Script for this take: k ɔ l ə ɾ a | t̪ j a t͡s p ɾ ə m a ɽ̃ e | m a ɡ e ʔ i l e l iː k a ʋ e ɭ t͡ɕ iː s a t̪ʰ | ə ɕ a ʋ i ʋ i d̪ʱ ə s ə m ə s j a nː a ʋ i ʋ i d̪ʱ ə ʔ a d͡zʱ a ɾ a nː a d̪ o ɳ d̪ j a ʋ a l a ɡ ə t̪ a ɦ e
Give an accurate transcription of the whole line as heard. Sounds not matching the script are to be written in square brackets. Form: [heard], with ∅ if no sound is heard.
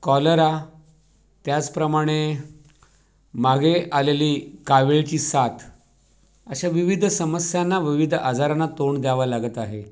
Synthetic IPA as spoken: k ɔ l ə ɾ a | t̪ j a t͡s p ɾ ə m a ɽ̃ e | m a ɡ e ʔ [a] l e l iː k a ʋ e ɭ t͡ɕ iː s a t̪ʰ | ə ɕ a ʋ i ʋ i d̪ʱ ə s ə m ə s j a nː a ʋ i ʋ i d̪ʱ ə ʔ a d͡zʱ a ɾ a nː a [t̪] o ɳ d̪ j a ʋ a l a ɡ ə t̪ a ɦ e